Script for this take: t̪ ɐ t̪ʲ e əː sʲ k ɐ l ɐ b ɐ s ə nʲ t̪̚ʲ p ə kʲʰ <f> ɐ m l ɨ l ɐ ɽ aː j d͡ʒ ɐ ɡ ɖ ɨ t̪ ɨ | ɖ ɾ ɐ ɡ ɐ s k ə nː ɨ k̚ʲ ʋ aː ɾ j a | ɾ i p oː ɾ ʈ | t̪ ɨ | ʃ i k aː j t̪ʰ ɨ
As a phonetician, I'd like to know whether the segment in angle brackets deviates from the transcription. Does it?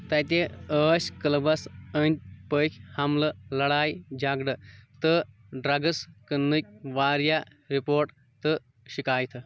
yes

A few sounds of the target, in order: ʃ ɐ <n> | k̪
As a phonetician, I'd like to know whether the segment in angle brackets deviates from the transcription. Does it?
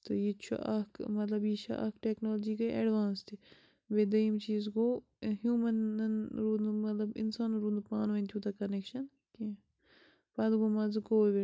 no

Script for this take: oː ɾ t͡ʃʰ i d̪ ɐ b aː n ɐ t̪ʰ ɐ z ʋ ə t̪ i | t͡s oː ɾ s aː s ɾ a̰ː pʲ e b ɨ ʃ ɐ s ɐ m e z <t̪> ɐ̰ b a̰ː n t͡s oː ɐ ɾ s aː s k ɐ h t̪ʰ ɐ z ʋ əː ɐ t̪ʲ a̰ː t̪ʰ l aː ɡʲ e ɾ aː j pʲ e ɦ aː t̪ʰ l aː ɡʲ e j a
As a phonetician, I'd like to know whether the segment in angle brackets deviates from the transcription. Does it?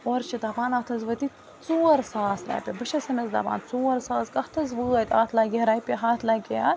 yes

